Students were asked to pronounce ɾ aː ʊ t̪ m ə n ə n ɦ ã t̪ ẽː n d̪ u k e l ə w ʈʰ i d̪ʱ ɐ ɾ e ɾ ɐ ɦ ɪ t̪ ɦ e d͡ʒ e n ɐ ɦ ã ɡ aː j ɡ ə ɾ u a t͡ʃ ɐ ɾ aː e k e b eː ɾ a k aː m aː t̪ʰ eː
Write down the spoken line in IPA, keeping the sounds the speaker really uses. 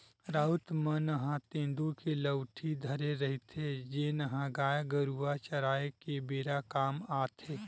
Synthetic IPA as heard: ɾ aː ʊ t̪ m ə n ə ɦ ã t̪ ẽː n d̪ u k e l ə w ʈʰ i d̪ʱ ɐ ɾ e ɾ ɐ ɦ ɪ t̪ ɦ e d͡ʒ e n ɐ ɦ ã ɡ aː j ɡ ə ɾ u a t͡ʃ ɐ ɾ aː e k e b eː ɾ a k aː m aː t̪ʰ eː